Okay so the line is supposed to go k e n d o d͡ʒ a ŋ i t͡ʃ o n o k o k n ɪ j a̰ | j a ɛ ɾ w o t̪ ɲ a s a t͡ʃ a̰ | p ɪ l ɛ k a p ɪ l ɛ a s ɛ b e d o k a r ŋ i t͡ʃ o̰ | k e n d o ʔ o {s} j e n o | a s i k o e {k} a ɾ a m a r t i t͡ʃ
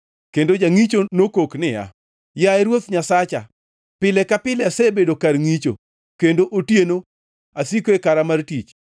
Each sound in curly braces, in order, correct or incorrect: incorrect: t, correct

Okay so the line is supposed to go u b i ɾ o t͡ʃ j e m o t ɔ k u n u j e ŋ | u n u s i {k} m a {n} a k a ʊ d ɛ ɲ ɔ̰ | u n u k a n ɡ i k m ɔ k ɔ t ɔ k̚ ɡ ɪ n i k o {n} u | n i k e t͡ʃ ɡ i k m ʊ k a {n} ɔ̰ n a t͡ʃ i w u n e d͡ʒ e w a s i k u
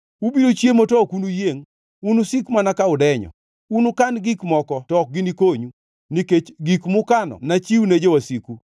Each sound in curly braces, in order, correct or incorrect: correct, correct, incorrect: ɲ, correct

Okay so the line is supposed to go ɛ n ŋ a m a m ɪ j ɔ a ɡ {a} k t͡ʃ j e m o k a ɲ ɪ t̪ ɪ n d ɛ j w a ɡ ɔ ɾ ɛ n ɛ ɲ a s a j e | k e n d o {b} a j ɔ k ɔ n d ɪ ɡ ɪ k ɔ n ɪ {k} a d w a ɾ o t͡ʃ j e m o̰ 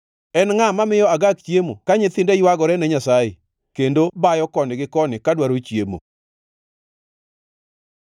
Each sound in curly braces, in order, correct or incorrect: correct, correct, correct

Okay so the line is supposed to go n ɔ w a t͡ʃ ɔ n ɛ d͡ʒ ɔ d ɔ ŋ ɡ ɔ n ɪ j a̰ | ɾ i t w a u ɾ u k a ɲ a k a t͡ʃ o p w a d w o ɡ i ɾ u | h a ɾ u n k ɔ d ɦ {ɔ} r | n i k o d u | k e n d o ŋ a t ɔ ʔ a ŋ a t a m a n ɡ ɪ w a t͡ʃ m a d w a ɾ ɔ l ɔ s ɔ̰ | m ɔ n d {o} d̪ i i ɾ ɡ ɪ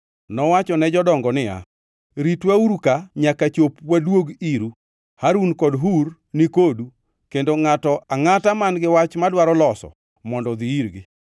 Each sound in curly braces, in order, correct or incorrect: incorrect: u, incorrect: ɔ

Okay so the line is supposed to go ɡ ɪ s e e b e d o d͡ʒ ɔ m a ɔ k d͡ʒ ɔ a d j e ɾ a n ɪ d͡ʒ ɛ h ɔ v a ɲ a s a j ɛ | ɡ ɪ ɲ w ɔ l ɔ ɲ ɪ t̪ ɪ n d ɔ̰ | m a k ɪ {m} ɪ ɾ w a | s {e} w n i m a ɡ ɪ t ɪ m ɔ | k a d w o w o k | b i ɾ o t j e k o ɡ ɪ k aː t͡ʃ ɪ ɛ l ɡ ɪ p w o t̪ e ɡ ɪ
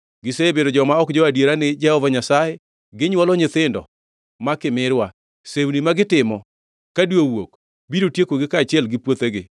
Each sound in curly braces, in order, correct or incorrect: correct, correct

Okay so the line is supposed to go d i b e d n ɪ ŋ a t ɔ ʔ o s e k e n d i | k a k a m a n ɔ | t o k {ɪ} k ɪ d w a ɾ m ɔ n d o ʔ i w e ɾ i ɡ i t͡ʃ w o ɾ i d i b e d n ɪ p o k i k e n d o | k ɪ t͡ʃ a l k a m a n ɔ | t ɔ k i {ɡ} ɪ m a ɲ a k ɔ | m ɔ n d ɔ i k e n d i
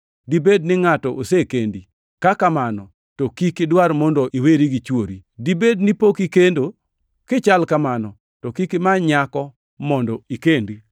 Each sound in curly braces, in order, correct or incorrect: incorrect: i, incorrect: k

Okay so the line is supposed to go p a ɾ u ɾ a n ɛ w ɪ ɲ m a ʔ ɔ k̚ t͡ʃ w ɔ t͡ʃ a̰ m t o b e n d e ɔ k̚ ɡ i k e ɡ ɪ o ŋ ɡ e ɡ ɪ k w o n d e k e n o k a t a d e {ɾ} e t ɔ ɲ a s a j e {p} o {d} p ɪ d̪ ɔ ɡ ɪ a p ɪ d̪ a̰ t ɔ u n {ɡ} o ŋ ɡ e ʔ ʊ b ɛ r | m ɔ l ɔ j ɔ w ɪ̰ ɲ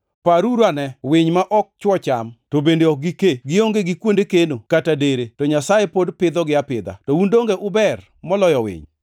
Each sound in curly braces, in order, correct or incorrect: correct, correct, correct, incorrect: d

